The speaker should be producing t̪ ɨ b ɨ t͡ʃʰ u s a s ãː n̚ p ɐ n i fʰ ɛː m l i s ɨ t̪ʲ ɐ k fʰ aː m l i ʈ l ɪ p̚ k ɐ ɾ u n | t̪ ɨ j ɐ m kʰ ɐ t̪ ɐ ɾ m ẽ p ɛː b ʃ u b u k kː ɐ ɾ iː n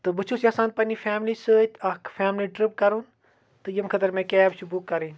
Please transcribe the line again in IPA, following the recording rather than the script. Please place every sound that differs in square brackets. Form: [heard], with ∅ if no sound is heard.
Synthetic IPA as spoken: t̪ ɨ b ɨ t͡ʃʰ u s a s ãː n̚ p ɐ n i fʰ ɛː m l i s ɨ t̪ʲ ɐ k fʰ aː m l i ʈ [ɾ] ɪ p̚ k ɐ ɾ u n | t̪ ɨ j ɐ m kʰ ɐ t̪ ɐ ɾ m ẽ [k] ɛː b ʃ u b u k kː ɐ ɾ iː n

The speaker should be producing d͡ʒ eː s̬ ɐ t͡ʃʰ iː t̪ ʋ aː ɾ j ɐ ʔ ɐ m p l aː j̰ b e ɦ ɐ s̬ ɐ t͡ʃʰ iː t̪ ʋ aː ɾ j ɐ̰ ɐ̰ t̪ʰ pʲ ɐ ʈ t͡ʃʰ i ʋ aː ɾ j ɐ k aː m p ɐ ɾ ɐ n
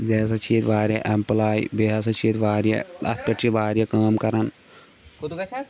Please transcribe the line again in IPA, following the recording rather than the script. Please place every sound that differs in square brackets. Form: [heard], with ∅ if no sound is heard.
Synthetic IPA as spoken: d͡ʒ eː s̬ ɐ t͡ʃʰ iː t̪ ʋ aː ɾ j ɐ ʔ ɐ m p l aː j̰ b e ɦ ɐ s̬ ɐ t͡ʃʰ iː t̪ ʋ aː ɾ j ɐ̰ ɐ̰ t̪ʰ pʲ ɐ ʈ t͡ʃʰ i ʋ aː ɾ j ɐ k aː m [k] ɐ ɾ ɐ n

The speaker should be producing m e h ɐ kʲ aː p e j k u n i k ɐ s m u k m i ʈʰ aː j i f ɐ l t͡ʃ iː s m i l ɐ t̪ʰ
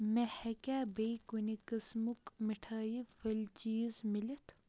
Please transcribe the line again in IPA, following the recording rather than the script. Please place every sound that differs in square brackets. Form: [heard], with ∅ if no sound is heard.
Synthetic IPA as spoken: m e h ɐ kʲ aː [b] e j k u n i k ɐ s m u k m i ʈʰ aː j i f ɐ l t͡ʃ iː [z] m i l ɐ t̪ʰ

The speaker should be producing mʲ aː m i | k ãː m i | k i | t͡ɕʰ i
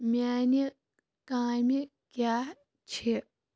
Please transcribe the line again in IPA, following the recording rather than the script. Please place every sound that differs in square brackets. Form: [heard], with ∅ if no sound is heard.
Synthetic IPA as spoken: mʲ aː [n] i | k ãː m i | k [a] | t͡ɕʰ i

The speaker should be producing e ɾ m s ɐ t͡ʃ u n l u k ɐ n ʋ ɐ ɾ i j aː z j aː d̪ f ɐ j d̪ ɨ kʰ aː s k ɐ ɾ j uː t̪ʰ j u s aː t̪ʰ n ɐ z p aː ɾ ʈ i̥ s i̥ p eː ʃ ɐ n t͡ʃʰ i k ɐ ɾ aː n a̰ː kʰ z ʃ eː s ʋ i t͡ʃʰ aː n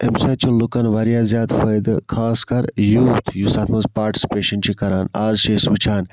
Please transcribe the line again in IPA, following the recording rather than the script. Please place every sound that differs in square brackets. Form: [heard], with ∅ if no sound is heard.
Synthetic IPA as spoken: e [∅] m s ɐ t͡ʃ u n l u k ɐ n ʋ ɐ ɾ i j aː z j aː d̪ f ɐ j d̪ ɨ kʰ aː s k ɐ ɾ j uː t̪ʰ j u s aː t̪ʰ [m] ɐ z p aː ɾ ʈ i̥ s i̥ p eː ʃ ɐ n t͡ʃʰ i k ɐ ɾ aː n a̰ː [∅] z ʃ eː s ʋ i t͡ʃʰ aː n

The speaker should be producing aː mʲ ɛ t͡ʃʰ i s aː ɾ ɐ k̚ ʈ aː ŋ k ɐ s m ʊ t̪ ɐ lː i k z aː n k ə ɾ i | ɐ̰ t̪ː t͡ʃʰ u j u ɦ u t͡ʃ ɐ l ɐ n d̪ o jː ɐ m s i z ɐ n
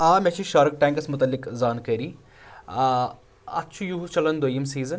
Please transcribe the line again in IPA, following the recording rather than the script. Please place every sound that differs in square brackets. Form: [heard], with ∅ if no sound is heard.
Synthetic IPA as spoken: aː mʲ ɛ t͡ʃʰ i [ʃ] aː ɾ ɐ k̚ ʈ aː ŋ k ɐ s m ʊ t̪ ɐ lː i k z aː n k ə ɾ i | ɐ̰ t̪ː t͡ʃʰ u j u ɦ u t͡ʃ ɐ l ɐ n d̪ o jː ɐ m s [iː] z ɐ n

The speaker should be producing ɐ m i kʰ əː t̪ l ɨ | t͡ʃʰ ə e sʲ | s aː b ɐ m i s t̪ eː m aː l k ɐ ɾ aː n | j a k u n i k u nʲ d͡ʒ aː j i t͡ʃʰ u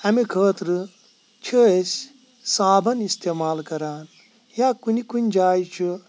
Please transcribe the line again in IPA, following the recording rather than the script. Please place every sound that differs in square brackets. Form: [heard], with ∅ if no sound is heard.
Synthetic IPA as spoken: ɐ m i kʰ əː t̪ [ɾ] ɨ | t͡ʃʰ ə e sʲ | s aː b ɐ [n] i s t̪ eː m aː l k ɐ ɾ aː n | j a k u n i k u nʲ d͡ʒ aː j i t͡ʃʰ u

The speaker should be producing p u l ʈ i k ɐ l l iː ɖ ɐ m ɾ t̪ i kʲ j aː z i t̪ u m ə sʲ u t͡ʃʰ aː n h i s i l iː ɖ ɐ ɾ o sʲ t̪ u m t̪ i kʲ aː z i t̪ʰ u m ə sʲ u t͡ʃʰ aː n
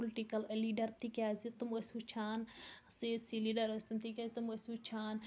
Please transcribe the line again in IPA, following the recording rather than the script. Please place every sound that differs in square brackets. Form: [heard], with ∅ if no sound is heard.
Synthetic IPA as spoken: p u l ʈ i k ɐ l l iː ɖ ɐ [∅] ɾ t̪ i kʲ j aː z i t̪ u m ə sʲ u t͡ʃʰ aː n [s] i s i l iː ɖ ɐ ɾ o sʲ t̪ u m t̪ i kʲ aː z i [t̪] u m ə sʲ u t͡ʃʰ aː n

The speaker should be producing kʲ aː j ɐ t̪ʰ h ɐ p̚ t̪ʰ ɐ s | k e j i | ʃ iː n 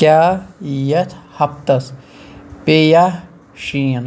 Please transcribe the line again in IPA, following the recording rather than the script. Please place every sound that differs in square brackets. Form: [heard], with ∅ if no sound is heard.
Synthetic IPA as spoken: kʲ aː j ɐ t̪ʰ h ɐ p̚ [t̪] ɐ s | [p] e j [a] | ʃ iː n

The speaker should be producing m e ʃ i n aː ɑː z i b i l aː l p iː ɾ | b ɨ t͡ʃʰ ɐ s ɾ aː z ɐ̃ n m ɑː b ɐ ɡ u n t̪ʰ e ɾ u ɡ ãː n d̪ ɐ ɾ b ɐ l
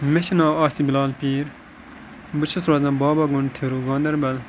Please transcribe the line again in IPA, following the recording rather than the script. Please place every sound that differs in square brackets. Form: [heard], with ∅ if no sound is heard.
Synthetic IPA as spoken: m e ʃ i n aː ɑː [s] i b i l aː l p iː ɾ | b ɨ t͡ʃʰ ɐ s ɾ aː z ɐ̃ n [b] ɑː b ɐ ɡ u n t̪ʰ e ɾ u ɡ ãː n d̪ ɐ ɾ b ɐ l

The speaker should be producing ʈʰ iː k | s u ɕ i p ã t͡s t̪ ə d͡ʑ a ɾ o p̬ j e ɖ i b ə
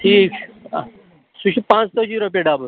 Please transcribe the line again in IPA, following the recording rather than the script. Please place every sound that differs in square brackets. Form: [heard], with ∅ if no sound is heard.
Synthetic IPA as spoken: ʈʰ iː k | s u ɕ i p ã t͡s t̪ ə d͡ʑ [i] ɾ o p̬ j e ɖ [a] b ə

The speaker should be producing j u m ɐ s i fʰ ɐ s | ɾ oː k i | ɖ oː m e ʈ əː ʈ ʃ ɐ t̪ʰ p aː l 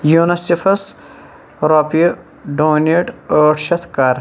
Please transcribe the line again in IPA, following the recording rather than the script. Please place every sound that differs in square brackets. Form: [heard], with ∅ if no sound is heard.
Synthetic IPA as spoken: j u [n] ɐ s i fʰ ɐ s | ɾ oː [p] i | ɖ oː [n] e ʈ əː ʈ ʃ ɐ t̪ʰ [k] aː [ɾ]

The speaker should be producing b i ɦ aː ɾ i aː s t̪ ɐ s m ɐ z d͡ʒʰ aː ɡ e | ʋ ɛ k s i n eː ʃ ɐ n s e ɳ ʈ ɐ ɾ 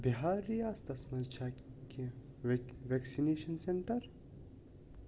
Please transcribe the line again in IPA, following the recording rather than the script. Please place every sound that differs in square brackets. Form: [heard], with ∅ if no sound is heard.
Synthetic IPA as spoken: b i ɦ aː ɾ i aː s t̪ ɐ s m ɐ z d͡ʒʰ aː [k] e | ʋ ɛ k s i n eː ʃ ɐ n s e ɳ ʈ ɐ ɾ

